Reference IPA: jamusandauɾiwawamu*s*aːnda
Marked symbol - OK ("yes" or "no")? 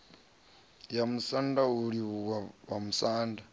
yes